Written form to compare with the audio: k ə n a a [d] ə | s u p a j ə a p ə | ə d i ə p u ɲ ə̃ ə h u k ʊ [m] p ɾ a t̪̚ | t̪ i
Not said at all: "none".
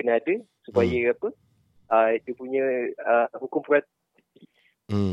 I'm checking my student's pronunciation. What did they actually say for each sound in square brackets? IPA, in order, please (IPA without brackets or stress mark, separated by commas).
d, m